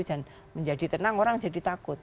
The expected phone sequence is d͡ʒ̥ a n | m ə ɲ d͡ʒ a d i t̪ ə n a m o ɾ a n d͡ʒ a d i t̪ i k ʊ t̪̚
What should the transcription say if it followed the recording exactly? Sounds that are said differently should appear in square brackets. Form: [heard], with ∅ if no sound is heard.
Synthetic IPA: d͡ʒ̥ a n | m ə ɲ d͡ʒ a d i t̪ ə n a [ŋ] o ɾ a [ŋ] d͡ʒ a d i t̪ [a] k ʊ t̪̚